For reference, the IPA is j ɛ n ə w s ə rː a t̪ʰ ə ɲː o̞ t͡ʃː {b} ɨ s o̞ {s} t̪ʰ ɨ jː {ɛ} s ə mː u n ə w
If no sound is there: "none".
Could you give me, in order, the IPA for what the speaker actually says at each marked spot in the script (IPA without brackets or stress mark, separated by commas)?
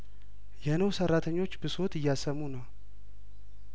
b, none, a